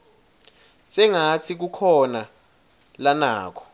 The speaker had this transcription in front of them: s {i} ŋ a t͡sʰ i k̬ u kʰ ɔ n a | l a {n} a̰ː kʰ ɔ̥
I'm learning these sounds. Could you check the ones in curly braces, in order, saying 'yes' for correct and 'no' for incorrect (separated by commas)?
no, yes